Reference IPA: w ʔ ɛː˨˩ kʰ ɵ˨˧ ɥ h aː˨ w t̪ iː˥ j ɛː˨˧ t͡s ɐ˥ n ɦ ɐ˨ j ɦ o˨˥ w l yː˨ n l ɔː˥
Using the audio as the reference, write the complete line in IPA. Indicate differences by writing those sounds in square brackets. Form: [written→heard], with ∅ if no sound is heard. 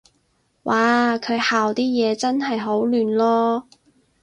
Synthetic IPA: w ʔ [ɛː˨˩→aː˨˩] kʰ ɵ˨˧ ɥ h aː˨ w t̪ iː˥ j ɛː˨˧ t͡s ɐ˥ n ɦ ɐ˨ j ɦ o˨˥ w l yː˨ n l ɔː˥